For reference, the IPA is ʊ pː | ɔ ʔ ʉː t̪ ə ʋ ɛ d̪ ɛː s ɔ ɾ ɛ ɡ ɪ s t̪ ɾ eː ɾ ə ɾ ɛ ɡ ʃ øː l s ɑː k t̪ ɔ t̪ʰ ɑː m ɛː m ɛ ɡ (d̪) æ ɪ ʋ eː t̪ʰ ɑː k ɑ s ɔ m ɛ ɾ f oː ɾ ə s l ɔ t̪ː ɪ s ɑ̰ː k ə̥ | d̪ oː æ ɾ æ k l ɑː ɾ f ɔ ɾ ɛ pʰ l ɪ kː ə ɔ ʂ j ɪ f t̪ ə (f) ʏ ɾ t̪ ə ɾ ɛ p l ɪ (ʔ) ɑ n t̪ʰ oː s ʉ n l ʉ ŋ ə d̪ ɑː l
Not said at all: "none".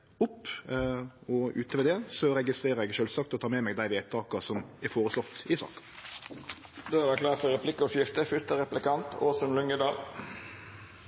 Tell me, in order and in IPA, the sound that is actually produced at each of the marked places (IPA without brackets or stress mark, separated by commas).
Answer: d̪, f, k